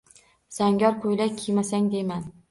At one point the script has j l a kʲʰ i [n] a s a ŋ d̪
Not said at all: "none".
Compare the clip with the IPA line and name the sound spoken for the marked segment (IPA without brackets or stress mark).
m